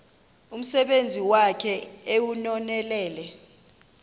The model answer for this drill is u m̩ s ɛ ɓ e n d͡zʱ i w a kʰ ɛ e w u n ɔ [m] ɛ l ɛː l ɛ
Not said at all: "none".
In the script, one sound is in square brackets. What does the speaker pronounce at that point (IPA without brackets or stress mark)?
n